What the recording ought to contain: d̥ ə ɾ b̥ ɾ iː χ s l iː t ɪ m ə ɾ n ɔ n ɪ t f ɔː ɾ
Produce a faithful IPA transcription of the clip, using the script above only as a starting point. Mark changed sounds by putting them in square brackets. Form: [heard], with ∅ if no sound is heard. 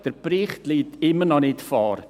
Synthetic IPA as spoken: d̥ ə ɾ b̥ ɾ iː χ [t] l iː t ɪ m ə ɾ n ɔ n ɪ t f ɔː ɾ